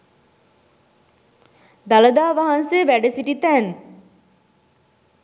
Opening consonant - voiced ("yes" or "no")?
yes